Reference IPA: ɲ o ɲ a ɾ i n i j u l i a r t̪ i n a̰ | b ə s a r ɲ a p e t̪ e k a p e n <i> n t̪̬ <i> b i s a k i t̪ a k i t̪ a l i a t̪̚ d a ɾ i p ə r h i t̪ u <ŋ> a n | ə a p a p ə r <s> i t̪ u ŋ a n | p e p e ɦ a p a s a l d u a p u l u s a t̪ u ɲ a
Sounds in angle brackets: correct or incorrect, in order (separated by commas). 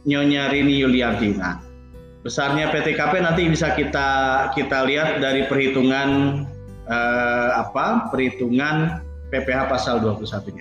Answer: incorrect, correct, correct, incorrect